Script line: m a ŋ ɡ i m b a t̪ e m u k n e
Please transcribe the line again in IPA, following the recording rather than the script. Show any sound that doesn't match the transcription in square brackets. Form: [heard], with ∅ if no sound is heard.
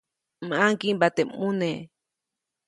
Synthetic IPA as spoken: m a ŋ [k] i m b a t̪ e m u [∅] n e